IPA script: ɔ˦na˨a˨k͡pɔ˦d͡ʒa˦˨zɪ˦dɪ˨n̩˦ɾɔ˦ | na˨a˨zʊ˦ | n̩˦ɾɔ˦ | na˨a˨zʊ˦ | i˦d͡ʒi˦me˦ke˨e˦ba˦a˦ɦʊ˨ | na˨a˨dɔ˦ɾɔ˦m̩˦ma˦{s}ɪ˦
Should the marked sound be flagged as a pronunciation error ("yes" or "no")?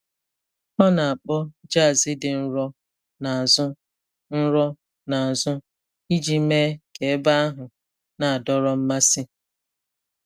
no